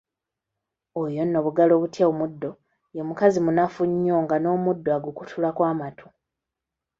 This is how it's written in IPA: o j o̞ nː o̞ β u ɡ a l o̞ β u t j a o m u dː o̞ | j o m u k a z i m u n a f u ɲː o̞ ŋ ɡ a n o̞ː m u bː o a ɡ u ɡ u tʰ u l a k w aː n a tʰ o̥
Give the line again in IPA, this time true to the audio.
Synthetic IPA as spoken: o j o̞ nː o̞ β u ɡ a l o̞ β u t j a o m u dː o̞ | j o m u k a z i m u n a f u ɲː o̞ ŋ ɡ a n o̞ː m u dː o a ɡ u k u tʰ u l a k w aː m a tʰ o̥